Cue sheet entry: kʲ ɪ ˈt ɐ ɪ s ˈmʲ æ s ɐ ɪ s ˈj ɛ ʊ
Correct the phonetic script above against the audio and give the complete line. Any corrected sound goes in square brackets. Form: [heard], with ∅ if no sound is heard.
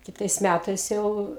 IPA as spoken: kʲ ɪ ˈt ɐ ɪ s ˈmʲ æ [t] ɐ ɪ s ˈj ɛ ʊ